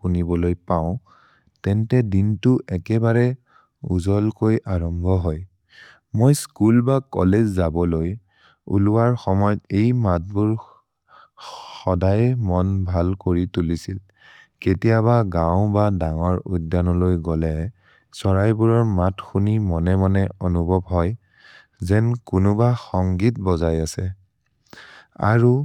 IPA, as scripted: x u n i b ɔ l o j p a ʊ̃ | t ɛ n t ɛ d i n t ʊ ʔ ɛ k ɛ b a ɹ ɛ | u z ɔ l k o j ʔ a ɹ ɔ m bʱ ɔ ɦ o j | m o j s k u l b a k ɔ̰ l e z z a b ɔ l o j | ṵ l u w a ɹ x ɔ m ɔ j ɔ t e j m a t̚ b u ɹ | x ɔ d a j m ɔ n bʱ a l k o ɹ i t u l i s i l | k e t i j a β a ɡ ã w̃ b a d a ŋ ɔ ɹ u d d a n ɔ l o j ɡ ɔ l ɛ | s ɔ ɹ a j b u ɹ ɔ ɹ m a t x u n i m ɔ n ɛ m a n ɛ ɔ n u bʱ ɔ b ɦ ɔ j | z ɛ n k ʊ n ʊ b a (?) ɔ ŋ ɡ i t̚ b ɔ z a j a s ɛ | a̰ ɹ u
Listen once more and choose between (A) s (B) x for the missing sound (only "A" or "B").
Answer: B